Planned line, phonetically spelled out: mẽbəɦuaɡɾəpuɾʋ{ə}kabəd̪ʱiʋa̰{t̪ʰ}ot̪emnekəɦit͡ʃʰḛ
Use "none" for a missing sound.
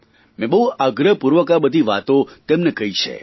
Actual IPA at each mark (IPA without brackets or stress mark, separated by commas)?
ə, t̪